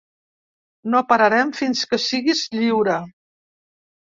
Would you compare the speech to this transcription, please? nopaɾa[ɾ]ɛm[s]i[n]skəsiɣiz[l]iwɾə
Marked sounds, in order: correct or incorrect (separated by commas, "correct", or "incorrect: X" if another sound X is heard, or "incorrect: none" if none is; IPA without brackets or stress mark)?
correct, incorrect: f, correct, incorrect: ʎ